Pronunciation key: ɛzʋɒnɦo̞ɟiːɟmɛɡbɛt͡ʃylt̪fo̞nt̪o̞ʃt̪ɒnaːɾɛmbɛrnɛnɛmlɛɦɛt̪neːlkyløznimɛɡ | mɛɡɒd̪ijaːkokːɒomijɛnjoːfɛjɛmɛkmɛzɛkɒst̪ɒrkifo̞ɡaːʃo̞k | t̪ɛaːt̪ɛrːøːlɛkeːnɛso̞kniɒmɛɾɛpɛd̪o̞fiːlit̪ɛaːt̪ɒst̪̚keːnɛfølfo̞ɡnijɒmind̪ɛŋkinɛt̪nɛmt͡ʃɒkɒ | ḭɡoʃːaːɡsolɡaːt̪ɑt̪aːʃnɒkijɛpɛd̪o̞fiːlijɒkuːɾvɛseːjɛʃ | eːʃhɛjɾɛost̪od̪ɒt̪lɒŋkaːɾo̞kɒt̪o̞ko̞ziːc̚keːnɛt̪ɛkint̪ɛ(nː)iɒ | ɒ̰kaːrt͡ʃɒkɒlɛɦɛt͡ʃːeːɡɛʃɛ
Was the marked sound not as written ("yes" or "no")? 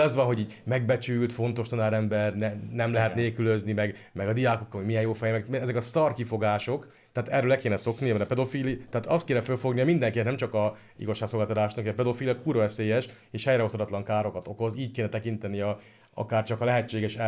yes